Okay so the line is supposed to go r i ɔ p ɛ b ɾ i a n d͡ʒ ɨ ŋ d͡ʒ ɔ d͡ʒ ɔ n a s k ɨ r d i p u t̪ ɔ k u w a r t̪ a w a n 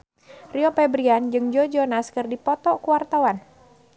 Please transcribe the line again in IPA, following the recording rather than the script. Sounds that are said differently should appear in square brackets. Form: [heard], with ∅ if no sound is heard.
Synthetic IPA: r i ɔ p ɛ b ɾ i a n d͡ʒ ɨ ŋ d͡ʒ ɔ d͡ʒ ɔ n a s k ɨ r d i p [ɔ] t̪ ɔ k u w a r t̪ a w a n